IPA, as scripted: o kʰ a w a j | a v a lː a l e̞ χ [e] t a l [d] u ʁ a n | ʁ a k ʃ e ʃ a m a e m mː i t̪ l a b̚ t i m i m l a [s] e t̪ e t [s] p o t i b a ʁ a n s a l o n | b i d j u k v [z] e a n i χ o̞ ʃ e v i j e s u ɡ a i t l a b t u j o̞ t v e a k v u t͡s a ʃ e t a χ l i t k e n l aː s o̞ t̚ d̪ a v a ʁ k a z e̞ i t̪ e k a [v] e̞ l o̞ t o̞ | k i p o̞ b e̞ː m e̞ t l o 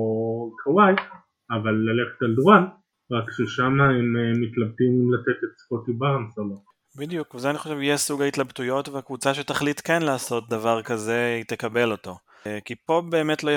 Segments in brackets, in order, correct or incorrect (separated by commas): correct, correct, incorrect, correct, correct, incorrect